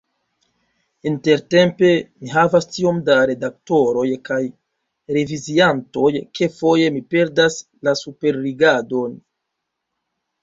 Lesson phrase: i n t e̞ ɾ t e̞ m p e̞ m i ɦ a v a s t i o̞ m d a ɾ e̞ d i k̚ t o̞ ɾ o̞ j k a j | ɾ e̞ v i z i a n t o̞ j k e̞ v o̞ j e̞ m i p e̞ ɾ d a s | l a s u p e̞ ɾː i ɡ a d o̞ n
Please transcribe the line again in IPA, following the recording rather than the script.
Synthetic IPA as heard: i n t e̞ ɾ t e̞ m p e̞ m i ɦ a v a s t i o̞ m d a ɾ e̞ d a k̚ t o̞ ɾ o̞ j k a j | ɾ e̞ v i z i a n t o̞ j k e̞ f o̞ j e̞ m i p e̞ ɾ d a s | l a s u p e̞ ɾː i ɡ a d o̞ n